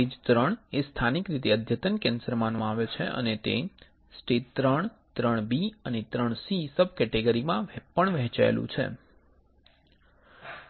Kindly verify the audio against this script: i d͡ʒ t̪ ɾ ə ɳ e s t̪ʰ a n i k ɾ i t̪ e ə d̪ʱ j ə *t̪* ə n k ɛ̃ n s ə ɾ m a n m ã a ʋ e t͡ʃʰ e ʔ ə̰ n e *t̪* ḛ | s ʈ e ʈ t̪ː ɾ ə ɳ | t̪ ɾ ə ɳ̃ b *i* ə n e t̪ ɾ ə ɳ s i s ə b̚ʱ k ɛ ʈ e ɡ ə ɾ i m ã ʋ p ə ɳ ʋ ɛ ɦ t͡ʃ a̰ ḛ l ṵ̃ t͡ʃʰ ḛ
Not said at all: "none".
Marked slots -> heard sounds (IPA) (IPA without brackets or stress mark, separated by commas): t̪, t̪, i